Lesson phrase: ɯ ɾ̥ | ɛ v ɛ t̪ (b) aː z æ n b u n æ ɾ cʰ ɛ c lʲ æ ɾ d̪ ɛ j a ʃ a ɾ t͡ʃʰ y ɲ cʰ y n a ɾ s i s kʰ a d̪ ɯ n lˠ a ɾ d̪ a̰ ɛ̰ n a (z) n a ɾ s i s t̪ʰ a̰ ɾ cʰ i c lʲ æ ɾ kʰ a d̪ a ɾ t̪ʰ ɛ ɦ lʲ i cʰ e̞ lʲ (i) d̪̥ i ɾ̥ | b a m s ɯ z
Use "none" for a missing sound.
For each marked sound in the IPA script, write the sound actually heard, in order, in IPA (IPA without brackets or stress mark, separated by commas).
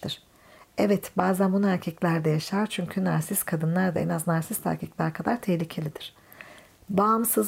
b, z, i